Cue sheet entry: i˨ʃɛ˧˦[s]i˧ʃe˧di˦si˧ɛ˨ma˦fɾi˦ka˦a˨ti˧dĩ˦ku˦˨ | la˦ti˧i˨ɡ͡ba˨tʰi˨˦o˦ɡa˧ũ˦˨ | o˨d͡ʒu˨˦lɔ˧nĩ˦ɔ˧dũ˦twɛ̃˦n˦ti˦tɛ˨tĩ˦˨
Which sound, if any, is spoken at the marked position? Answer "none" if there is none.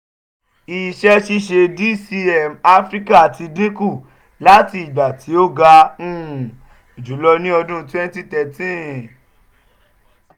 ʃ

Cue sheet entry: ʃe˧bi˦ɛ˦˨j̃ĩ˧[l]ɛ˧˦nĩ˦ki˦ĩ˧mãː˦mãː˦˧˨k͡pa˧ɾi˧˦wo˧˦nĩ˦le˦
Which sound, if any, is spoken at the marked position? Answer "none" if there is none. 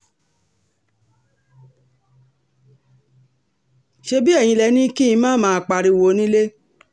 l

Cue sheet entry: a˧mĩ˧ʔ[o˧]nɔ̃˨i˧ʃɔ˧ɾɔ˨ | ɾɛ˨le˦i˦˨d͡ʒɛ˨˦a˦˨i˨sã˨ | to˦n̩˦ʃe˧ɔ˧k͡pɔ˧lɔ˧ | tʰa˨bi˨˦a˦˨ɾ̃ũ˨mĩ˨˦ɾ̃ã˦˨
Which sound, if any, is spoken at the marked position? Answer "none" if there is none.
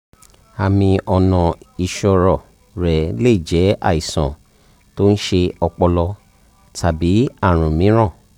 ɔ˧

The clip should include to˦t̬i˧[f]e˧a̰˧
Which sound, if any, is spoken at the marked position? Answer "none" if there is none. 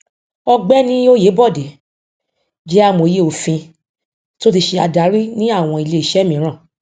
ʃ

